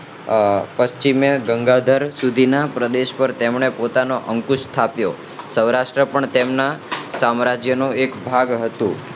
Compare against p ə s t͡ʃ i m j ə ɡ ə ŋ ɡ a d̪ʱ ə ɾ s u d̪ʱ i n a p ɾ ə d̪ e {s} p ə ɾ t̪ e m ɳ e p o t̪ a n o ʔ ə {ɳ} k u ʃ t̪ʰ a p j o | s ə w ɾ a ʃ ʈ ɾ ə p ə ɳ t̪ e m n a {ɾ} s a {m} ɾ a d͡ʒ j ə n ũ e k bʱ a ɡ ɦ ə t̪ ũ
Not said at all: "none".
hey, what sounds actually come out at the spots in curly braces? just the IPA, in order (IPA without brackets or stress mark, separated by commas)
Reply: ʃ, ŋ, none, m